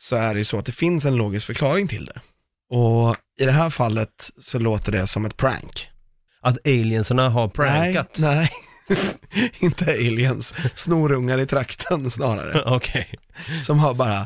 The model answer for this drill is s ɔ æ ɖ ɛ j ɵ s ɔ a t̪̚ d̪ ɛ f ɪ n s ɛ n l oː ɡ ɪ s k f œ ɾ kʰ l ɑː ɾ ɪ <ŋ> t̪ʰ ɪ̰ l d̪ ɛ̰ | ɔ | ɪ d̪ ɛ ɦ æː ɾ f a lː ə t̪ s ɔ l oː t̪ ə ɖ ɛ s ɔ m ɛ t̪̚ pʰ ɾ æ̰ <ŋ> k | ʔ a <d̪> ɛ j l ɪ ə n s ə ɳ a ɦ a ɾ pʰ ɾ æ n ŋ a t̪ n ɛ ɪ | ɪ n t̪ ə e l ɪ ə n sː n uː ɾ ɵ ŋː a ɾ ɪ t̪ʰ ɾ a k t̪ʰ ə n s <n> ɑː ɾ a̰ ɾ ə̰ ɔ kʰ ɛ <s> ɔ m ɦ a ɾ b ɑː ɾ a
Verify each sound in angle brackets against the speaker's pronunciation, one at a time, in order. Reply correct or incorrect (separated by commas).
correct, correct, incorrect, correct, correct